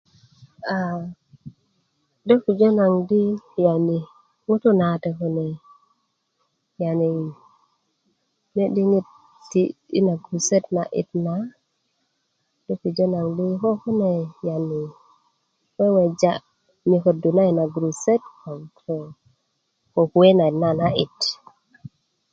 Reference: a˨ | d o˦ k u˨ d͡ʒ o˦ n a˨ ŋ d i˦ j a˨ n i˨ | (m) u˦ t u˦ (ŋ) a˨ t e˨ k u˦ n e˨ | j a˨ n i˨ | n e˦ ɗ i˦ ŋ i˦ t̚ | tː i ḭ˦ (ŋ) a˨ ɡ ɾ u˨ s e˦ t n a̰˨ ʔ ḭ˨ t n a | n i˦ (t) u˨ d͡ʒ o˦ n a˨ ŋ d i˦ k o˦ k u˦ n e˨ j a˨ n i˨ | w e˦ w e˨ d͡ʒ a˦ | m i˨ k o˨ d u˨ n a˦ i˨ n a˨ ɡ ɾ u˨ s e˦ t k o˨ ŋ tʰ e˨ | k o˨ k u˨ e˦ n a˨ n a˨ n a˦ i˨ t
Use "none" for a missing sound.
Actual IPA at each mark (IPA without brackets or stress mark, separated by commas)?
ŋ, n, n, k